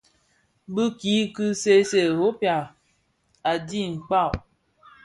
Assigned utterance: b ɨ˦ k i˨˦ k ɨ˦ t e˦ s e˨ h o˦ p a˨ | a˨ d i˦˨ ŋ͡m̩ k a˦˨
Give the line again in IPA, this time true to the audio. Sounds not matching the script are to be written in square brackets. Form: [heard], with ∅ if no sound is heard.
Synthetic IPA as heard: b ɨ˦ k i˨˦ k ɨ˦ [s] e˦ s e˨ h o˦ p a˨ | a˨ d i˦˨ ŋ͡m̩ [k͡p] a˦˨